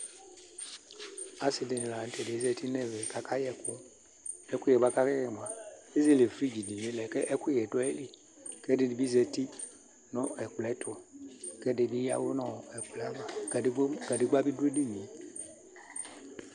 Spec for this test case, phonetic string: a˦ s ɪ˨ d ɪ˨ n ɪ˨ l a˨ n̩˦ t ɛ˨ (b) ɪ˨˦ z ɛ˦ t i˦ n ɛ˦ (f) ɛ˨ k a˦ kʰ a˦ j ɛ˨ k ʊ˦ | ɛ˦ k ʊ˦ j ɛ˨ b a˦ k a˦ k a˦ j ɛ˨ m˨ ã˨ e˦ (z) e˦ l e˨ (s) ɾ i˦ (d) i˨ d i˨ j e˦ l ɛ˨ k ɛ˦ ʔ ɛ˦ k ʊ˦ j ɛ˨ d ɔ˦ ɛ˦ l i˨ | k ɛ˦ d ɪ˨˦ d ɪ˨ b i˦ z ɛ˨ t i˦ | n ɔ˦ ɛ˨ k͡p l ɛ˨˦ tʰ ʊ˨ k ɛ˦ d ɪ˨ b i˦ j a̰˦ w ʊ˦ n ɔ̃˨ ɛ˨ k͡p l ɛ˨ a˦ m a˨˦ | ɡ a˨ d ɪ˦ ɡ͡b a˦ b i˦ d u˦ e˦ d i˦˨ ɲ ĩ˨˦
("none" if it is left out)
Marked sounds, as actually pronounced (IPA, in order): d, v, z, f, d͡ʒ

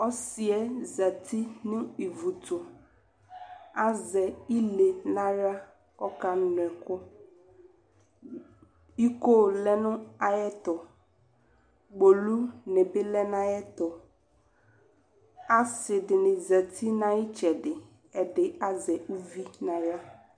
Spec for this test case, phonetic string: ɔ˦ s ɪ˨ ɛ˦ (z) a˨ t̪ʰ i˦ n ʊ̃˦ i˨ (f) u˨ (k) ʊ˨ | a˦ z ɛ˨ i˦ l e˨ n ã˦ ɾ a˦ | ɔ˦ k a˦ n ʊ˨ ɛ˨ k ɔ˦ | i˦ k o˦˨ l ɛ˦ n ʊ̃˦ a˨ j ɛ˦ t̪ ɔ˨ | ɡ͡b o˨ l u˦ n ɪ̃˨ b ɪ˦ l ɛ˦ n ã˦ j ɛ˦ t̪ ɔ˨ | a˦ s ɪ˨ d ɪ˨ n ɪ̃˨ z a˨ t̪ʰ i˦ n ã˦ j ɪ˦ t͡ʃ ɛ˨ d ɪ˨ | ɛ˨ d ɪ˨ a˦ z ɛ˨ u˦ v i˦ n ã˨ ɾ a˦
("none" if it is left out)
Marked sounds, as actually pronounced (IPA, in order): z, v, t

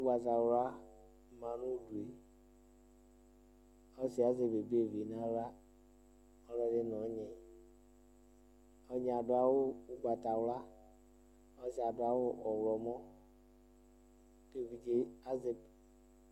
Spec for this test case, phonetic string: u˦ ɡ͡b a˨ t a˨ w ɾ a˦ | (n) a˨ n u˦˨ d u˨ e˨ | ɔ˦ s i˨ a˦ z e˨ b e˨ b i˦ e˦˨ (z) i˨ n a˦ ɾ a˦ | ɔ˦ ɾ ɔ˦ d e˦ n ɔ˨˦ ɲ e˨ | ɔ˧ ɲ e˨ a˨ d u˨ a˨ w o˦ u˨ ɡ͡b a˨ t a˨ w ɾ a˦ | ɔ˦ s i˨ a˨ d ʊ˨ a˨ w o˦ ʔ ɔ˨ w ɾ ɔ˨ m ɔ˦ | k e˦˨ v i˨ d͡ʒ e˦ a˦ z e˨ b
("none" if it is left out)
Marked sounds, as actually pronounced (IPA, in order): m, v

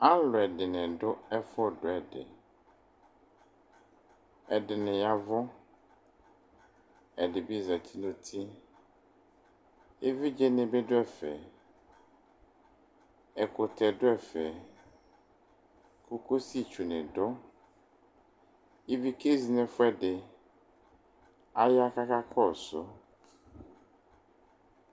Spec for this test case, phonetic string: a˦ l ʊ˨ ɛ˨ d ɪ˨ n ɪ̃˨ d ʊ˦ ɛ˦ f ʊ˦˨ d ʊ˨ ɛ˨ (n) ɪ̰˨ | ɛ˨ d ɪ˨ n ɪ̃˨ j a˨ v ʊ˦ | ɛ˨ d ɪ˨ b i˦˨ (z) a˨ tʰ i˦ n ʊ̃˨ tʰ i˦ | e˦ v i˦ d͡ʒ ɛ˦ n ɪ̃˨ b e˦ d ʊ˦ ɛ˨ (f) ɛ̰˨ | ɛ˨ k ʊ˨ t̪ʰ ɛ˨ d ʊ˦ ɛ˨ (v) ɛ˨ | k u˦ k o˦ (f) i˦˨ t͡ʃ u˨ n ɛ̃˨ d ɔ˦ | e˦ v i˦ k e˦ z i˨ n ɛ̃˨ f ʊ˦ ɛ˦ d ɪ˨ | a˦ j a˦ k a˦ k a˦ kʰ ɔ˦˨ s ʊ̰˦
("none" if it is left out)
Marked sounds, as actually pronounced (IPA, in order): d, z, f, f, s

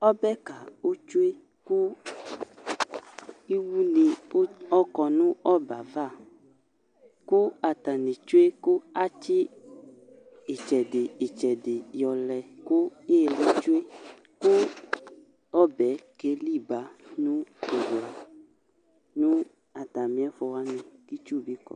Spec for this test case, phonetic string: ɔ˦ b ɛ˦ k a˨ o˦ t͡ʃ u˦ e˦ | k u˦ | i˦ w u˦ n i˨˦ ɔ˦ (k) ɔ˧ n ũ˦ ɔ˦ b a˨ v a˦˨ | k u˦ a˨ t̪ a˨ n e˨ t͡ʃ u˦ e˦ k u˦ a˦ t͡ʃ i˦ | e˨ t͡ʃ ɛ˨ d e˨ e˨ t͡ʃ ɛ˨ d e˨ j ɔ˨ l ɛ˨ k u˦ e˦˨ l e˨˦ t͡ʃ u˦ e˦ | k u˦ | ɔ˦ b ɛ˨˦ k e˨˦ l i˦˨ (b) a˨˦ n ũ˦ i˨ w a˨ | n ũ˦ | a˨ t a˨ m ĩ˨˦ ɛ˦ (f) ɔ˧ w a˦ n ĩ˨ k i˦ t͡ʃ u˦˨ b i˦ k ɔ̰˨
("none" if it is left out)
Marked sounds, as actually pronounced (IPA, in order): k, b, f

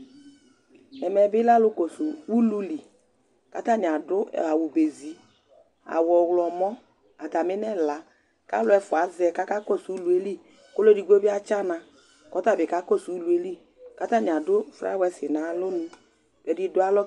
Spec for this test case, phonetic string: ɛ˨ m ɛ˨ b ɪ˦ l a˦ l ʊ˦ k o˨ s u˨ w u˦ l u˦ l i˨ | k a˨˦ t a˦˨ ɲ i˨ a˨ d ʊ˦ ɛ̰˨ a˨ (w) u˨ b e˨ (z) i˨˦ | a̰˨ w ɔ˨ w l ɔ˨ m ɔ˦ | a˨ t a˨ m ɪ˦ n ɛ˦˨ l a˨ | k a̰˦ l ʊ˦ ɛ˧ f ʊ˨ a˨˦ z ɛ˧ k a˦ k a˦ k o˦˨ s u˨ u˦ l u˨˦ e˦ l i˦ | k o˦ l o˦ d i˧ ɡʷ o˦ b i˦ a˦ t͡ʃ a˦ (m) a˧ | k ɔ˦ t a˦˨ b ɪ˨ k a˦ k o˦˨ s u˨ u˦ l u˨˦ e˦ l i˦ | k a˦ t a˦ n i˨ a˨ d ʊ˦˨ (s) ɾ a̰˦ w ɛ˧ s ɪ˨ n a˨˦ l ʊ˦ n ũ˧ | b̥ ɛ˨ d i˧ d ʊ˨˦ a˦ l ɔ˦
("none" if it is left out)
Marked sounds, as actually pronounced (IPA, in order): w, z, n, f

